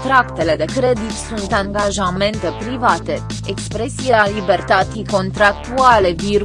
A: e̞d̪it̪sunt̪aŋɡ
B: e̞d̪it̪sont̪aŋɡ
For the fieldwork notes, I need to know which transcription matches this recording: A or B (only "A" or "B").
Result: A